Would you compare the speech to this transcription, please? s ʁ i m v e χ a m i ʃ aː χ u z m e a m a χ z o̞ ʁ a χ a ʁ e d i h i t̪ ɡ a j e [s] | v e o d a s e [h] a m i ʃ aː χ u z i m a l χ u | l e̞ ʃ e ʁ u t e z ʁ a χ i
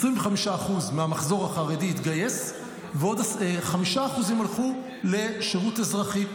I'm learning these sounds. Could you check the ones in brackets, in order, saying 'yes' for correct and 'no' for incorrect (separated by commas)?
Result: yes, no